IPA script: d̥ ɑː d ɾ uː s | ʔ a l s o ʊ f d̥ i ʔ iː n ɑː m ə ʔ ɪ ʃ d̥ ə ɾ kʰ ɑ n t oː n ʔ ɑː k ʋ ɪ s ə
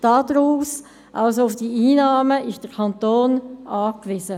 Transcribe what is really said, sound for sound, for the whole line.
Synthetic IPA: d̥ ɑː d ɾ uː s | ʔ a l s o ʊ f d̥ i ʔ iː n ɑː m ə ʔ ɪ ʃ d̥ ə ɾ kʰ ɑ n t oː n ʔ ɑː k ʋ ɪ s ə

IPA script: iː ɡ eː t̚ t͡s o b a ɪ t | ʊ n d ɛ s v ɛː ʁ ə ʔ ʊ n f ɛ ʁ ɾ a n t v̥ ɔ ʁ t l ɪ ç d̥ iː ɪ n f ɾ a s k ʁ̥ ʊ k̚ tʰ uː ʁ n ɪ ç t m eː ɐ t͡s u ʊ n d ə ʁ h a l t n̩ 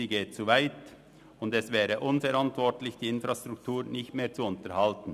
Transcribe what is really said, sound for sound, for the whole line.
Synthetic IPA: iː ɡ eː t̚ t͡s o v a ɪ t | ʊ n d ɛ s v ɛː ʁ ə ʔ ʊ n f ɛ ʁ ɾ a n t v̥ ɔ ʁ t l ɪ ç d̥ iː ɪ n f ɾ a s t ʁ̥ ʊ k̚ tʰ uː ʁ n ɪ ç t m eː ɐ t͡s u ʊ n t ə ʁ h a l t n̩

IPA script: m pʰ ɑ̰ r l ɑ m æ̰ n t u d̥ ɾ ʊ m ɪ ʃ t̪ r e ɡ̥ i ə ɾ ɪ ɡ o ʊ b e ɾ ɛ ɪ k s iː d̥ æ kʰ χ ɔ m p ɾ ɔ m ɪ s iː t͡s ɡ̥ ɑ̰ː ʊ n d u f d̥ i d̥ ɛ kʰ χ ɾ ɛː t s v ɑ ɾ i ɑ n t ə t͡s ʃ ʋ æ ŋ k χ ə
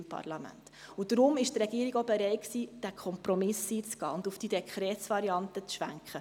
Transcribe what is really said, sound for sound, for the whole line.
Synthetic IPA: m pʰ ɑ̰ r l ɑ m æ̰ n t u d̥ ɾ ʊ m ɪ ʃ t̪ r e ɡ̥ i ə ɾ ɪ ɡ o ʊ b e ɾ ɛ ɪ k s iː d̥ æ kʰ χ ɔ m p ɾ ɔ m ɪ s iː t͡s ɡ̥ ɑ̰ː ʊ n d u f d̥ i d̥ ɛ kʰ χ ɾ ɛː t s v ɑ ɾ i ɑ n t ə t͡s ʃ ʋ æ ŋ k χ ə

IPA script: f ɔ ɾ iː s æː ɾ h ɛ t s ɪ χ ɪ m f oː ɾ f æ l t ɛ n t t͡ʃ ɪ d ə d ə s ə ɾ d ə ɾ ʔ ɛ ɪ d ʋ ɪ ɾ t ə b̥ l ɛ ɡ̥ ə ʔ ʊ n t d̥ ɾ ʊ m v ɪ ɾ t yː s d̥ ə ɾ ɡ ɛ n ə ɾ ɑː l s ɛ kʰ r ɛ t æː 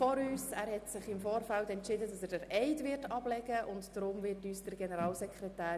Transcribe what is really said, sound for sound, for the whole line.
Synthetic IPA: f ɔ ɾ yː s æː ɾ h ɛ t s ɪ χ ɪ m f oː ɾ f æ l t ɛ n t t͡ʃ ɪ d ə d ɑ s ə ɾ d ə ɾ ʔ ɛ ɪ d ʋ ɪ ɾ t ɑ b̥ l ɛ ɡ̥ ə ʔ ʊ n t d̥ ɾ ʊ m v ɪ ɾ t yː s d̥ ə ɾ ɡ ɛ n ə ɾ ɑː l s ɛ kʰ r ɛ t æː

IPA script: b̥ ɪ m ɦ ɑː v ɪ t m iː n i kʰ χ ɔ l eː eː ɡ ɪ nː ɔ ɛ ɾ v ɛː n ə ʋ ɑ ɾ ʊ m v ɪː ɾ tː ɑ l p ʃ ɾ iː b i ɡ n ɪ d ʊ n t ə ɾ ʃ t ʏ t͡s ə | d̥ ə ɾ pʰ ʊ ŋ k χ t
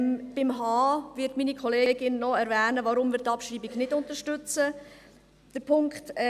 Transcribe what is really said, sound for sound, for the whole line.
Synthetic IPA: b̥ ɪ m ɦ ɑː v ɪ t m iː n i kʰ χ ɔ l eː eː ɡ ɪ nː ɔ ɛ ɾ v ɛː n ə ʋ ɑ ɾ ʊ m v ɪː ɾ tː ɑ p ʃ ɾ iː b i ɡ n ɪ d ʊ n t ə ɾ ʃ t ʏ t͡s ə | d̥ ə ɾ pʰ ʊ ŋ k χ t

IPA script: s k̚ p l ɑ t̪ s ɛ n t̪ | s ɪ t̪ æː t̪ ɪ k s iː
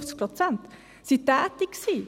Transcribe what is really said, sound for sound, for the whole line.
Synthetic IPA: s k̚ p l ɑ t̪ s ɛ n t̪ | s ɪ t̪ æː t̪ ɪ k s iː

